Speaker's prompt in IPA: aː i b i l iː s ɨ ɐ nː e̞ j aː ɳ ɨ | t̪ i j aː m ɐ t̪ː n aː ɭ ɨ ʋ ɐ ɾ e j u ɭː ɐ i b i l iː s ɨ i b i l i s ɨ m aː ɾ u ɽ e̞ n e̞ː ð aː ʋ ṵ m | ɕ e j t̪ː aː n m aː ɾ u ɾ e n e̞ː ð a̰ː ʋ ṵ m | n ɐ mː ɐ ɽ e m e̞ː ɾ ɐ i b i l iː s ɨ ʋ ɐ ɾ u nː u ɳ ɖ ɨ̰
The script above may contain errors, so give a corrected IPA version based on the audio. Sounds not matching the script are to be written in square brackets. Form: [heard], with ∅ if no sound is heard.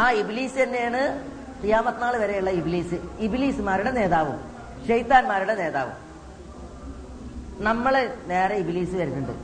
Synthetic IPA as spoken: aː i b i l iː s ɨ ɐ nː e̞ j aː ɳ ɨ | t̪ i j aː m ɐ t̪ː n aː ɭ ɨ ʋ ɐ ɾ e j u ɭː ɐ i b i l iː s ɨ i b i l [iː] s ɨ m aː ɾ u ɽ e̞ n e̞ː ð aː ʋ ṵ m | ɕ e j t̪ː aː n m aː ɾ u [ɽ] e n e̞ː ð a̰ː ʋ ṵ m | n ɐ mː ɐ [ɭ] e [n] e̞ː ɾ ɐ i b i l iː s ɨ ʋ ɐ ɾ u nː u ɳ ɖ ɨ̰